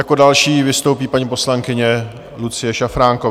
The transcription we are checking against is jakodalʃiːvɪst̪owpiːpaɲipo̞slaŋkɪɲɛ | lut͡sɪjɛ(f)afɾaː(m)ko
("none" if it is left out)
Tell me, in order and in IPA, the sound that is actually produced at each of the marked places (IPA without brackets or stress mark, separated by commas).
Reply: ʃ, ŋ